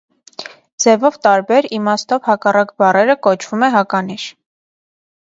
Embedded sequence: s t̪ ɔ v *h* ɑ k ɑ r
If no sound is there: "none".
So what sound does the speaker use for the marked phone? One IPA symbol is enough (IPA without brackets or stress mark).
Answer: h